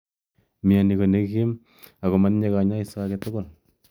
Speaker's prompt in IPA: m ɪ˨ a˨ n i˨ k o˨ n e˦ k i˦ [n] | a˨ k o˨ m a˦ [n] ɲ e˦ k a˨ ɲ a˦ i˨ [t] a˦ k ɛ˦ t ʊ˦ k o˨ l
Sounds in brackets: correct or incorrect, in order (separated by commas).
incorrect, correct, incorrect